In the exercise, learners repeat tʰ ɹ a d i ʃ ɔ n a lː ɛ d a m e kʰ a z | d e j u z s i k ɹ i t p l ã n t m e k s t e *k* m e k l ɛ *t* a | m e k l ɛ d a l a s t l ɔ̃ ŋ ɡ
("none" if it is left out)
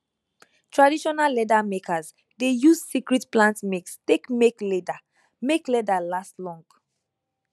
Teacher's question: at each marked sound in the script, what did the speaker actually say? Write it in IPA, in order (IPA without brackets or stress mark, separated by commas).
k, d